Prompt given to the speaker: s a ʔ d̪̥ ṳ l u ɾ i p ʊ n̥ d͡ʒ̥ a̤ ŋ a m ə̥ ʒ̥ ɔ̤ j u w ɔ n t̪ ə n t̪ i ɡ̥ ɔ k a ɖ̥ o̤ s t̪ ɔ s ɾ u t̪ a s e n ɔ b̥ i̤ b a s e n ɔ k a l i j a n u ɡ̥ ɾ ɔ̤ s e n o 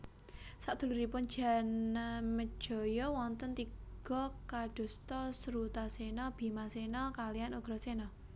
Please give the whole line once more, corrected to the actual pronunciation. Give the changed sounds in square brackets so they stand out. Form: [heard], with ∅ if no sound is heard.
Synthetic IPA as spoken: s a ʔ d̪̥ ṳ l u ɾ i p ʊ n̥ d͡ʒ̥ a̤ [n] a m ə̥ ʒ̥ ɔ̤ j [ɔ] w ɔ n t̪ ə n t̪ i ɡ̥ ɔ k a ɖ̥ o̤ s t̪ ɔ s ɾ u t̪ a s e n ɔ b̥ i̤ [m] a s e n ɔ k a l i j a n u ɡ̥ ɾ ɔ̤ s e n [ɔ]